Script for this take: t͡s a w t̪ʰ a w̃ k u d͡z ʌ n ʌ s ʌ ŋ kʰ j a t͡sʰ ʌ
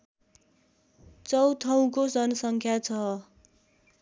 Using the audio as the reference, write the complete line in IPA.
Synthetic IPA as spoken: t͡s ʌ w t̪ʰ ʌ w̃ k o d͡z ʌ n ʌ s ʌ ŋ kʰ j a t͡sʰ ʌ